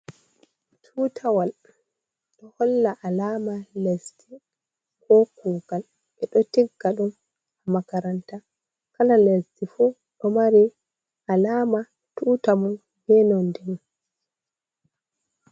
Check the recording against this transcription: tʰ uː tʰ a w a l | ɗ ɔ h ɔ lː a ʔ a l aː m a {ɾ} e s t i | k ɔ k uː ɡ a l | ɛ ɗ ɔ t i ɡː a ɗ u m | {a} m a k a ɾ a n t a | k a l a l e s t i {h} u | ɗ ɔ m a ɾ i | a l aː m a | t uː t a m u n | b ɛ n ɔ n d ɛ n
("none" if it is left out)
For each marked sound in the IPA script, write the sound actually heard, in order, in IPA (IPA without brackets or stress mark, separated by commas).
l, a, f